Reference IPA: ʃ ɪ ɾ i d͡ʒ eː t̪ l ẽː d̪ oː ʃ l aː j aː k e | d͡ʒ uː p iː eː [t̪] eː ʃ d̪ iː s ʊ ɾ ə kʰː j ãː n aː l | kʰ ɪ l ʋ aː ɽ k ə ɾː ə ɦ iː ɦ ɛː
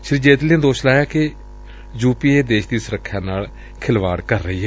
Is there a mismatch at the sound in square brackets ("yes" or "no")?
yes